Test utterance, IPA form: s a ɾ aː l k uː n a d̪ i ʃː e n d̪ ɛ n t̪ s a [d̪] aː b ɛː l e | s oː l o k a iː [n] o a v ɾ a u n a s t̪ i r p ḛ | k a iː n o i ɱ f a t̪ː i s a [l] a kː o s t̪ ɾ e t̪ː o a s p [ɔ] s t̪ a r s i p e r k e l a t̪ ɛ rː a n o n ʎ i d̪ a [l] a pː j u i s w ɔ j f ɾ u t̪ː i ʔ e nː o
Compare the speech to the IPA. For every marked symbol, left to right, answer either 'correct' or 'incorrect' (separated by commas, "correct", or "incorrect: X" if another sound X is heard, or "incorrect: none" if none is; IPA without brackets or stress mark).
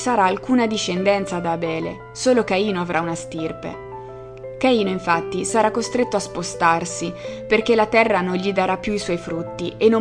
correct, correct, incorrect: ɾ, incorrect: o, incorrect: ɾ